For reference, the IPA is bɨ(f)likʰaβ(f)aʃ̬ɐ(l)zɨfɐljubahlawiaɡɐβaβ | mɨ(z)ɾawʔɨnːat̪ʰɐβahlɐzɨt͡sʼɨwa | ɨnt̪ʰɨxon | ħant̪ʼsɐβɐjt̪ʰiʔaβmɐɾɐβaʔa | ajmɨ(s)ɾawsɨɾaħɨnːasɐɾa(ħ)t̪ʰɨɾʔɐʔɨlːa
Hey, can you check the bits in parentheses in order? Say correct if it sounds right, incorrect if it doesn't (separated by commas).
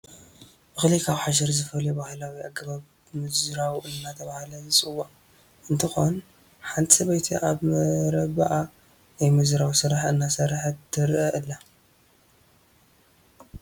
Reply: incorrect, incorrect, incorrect, correct, incorrect, correct